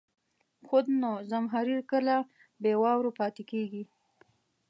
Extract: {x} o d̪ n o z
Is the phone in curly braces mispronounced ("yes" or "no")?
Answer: no